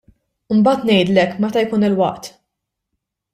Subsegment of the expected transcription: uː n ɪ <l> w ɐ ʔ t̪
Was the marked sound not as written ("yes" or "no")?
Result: no